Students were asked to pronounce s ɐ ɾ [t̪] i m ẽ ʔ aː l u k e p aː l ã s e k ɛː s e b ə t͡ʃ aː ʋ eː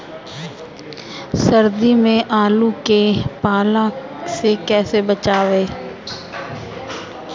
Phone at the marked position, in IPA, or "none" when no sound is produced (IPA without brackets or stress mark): d̪